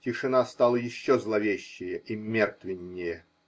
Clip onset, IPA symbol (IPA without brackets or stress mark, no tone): tʲ